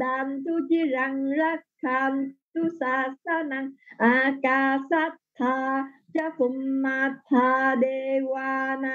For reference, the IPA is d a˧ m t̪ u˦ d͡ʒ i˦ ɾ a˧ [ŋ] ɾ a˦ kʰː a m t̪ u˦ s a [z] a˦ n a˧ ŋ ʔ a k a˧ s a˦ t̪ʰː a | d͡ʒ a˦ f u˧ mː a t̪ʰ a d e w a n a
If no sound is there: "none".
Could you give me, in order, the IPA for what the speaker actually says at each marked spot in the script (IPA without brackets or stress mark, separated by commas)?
ŋ, s